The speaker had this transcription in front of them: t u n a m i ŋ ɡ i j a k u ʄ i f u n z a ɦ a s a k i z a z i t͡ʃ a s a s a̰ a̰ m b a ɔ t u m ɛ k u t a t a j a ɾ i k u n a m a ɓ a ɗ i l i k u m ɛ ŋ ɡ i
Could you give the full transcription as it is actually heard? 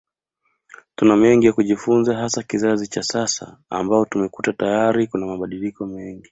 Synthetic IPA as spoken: t u n a m ɛ ŋ ɡ i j a k u ʄ i f u n z a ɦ a s a k i z a z i t͡ʃ a s a s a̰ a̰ m b a ɔ t u m ɛ k u t a t a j a ɾ i k u n a m a ɓ a ɗ i l i k ɔ m ɛ ŋ ɡ i